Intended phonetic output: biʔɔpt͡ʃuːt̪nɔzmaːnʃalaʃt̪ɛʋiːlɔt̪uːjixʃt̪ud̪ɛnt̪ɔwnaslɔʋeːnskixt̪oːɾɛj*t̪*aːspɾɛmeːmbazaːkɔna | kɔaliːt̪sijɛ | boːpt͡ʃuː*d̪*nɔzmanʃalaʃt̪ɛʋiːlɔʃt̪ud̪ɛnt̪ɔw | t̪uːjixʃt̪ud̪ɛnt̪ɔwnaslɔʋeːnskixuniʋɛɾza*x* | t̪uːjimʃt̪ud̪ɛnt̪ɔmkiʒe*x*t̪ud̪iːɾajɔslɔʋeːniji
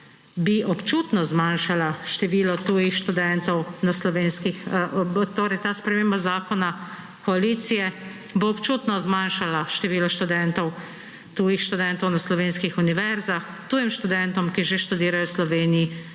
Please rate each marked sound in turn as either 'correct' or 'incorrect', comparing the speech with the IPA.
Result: correct, incorrect, correct, incorrect

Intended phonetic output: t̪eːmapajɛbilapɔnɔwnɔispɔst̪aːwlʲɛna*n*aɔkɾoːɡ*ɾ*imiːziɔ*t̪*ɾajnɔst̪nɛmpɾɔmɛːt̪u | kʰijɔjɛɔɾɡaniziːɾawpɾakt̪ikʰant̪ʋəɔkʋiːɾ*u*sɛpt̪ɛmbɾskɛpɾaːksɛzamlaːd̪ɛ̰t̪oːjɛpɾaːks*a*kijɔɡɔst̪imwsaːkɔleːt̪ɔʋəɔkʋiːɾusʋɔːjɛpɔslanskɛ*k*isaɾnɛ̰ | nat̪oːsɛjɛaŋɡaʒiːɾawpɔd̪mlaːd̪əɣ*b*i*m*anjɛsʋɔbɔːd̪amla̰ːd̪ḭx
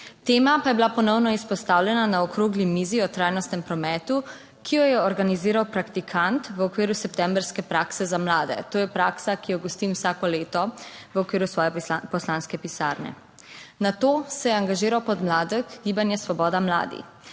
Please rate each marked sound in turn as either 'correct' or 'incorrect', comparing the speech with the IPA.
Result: correct, incorrect, correct, correct, correct, incorrect, incorrect, incorrect

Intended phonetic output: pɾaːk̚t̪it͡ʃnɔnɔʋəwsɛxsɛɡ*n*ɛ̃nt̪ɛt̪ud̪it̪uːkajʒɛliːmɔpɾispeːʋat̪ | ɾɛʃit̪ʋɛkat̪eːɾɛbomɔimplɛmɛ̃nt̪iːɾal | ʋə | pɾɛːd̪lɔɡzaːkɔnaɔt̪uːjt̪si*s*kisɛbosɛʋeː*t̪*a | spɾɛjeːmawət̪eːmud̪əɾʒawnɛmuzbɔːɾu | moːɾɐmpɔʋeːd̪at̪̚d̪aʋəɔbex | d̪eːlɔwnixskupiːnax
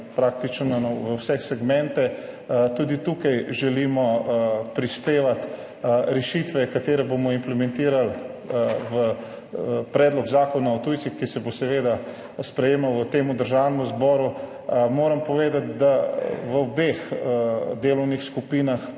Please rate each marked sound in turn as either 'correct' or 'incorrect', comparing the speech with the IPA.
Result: incorrect, incorrect, incorrect

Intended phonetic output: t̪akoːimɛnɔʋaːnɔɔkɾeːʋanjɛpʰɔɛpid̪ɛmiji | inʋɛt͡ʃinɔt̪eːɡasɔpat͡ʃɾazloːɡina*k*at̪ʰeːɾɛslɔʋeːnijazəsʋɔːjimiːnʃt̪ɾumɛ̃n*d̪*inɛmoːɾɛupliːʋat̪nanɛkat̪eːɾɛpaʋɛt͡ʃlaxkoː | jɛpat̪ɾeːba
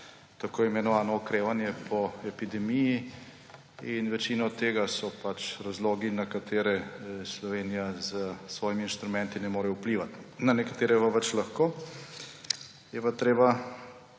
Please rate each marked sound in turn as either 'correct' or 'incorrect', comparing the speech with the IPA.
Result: correct, incorrect

